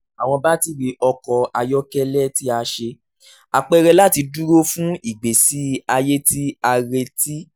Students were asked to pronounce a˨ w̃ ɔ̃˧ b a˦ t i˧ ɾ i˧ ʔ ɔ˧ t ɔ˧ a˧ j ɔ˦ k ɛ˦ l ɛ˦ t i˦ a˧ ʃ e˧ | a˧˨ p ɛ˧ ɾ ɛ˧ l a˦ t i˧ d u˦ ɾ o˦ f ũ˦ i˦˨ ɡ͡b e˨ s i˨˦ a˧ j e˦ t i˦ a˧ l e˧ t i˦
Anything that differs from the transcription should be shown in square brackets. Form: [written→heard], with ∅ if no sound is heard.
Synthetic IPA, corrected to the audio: a˨ w̃ ɔ̃˧ b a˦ t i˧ ɾ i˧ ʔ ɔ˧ [t→k] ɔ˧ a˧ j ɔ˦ k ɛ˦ l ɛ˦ t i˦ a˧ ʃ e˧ | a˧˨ [p→k͡p] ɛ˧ ɾ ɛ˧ l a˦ t i˧ d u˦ ɾ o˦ f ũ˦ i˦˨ ɡ͡b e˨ s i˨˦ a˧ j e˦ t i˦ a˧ [l→ɾ] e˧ t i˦